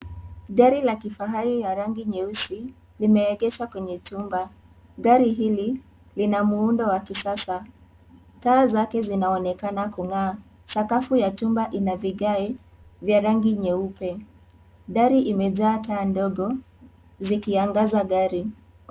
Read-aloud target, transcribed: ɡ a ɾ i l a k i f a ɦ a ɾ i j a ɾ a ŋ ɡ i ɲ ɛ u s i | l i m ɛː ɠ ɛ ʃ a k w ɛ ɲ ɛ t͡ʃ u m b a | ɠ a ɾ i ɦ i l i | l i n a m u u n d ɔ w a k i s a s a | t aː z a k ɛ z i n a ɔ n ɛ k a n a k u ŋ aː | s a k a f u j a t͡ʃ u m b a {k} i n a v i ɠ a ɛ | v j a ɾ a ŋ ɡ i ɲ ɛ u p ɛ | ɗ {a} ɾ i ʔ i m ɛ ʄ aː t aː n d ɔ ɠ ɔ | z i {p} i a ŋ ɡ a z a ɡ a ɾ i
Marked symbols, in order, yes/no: no, yes, no

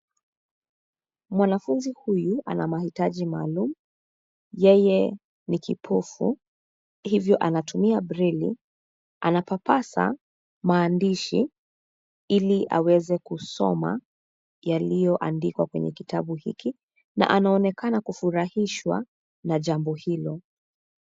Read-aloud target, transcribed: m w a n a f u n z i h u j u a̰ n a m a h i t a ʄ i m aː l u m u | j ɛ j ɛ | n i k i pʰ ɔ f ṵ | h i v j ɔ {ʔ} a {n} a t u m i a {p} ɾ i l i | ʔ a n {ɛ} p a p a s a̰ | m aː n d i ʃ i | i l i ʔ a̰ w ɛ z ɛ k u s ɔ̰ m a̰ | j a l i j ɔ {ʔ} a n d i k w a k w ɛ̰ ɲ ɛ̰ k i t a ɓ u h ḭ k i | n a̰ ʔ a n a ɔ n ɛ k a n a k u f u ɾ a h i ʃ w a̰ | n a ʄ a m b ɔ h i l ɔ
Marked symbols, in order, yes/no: yes, yes, no, no, yes

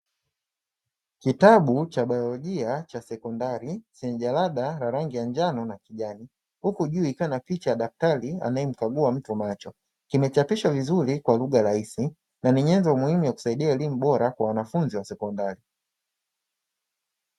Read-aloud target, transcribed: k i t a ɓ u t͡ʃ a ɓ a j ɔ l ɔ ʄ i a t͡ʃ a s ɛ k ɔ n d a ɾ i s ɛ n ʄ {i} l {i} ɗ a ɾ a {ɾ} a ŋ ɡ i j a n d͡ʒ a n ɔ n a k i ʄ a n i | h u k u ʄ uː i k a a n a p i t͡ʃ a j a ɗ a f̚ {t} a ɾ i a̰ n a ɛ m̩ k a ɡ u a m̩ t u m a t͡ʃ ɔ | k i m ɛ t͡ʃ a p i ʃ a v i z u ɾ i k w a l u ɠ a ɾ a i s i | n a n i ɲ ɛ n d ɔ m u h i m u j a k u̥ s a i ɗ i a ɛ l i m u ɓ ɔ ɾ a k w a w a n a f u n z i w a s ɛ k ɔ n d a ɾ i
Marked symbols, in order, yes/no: no, no, yes, yes

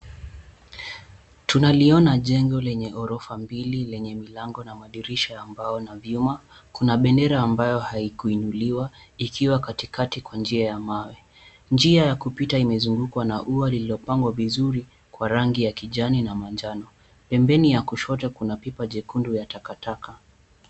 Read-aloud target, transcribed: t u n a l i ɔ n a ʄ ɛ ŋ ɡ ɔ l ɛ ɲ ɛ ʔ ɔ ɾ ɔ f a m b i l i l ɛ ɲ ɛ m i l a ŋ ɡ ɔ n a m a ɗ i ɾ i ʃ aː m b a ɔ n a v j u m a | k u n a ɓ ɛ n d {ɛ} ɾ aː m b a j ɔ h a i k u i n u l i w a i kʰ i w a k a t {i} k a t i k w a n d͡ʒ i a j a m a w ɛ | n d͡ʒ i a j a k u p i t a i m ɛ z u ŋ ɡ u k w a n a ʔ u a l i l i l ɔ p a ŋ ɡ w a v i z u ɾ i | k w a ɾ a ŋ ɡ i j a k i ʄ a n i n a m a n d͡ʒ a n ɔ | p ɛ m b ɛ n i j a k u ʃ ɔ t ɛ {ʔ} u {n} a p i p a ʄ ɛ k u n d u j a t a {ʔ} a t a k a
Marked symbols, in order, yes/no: yes, yes, no, yes, no

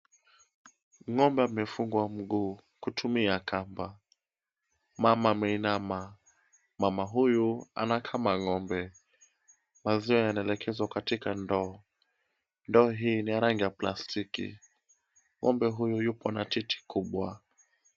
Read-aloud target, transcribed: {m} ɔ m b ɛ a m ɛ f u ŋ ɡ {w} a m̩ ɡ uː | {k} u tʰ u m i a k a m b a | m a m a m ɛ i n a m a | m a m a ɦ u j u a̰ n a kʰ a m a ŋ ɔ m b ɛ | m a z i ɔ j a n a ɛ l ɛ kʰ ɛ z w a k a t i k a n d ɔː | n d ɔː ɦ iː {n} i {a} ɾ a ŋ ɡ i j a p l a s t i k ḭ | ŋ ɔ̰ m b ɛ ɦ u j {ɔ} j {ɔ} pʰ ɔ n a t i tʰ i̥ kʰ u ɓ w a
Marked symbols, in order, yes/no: no, yes, yes, yes, yes, no, no

